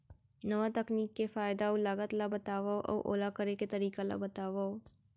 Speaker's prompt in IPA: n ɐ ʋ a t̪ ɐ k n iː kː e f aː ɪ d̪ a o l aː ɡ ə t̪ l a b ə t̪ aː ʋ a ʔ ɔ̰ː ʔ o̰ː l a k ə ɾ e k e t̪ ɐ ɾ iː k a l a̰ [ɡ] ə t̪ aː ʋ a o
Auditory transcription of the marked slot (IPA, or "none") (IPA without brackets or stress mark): b